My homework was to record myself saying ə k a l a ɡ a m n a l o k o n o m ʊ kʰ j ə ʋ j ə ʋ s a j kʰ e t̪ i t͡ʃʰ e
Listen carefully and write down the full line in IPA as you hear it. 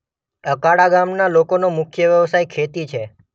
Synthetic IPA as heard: ə k a ɽ a ɡ a m n a l o k o n o m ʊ kʰ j ə ʋ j ə ʋ s a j kʰ e t̪ i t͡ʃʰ e

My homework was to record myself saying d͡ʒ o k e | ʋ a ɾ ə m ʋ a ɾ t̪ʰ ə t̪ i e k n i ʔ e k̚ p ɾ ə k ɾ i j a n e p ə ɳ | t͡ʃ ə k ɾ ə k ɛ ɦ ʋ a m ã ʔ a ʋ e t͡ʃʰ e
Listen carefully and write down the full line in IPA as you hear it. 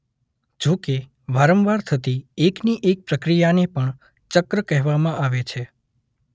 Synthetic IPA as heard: d͡ʒ o k e | ʋ a ɾ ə m ʋ a ɾ t̪ʰ ə t̪ i e k n i ʔ e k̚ p ɾ ə k ɾ i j a n e p ə ɳ | t͡ʃ ə k ɾ ə k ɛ ɦ ʋ a m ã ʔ a ʋ e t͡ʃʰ e

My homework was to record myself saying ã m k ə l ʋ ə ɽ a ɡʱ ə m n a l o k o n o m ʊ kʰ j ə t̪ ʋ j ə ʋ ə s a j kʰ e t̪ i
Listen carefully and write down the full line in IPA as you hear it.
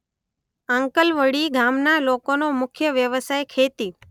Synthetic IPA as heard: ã ŋ k ə l ʋ ə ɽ i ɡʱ a m n a l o k o n o m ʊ kʰ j ə ʋ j ə ʋ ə s a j kʰ e t̪ i

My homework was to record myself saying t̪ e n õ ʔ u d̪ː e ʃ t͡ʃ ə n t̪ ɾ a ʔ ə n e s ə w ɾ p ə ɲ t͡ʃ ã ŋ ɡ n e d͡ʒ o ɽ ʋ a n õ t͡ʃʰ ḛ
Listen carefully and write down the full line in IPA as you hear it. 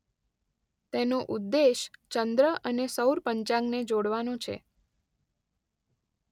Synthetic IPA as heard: t̪ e n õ ʔ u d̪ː e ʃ t͡ʃ ə n d̪ ɾ ə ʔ ə n e s ə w ɾ p ə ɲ t͡ʃ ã ŋ ɡ n e d͡ʒ o ɽ ʋ a n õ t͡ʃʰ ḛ

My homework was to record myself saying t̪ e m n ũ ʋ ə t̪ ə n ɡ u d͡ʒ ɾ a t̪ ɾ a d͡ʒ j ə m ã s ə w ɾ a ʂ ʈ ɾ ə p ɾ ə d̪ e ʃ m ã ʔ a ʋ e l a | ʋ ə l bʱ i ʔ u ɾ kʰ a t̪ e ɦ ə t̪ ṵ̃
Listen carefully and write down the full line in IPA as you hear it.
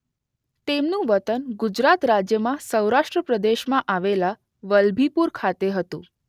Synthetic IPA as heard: t̪ e m n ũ ʋ ə t̪ ə n ɡ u d͡ʒ ɾ a t̪ ɾ a d͡ʒ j ə m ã s ə w ɾ a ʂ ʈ ɾ ə p ɾ ə d̪ e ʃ m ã ʔ a ʋ e l a | ʋ ə l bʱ i p u ɾ kʰ a t̪ e ɦ ə t̪ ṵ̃

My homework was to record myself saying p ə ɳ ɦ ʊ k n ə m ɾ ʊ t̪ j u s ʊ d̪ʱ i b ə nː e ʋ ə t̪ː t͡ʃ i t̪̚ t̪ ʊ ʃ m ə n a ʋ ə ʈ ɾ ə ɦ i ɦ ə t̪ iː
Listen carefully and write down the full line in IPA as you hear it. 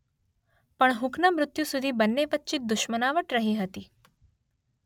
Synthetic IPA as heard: p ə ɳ ɦ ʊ k n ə m ɾ ʊ t̪ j u s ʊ d̪ʱ i b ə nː e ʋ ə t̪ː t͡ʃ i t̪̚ d̪ ʊ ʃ m ə n a ʋ ə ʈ ɾ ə ɦ i ɦ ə t̪ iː

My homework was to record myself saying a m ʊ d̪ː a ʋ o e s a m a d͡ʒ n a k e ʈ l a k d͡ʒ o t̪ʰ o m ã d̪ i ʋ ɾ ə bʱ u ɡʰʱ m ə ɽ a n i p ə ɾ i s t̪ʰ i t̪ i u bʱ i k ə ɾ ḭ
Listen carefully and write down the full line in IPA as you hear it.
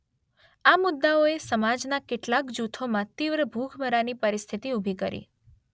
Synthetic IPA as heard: a m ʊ d̪ː a o e s ə m a d͡ʒ n a k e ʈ l a k d͡ʒ u t̪ʰ o m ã t̪ i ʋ ɾ ə bʱ u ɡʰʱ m ə ɾ a n i p ə ɾ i s t̪ʰ i t̪ i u bʱ i k ə ɾ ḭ

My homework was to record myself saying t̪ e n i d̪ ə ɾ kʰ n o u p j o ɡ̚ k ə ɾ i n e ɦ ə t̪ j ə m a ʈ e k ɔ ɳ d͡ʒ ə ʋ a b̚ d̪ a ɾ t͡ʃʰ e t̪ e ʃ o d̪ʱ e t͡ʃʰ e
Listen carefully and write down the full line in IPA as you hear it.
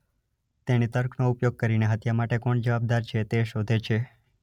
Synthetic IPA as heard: t̪ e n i t̪ ə ɾ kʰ n o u p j o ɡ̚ k ə ɾ i n e ɦ ə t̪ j a m a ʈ e k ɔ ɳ d͡ʒ ə ʋ a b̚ d̪ a ɾ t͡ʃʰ e t̪ e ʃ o d̪ʱ e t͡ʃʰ e

